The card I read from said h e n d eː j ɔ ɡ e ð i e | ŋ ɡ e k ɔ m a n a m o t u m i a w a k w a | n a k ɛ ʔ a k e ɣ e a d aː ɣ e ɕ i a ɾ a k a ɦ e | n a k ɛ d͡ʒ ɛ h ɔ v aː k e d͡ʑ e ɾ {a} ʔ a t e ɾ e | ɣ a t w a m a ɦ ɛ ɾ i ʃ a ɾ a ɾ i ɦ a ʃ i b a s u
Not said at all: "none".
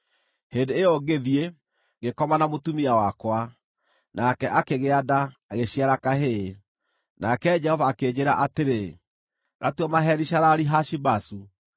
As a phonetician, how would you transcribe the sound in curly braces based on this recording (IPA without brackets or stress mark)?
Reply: a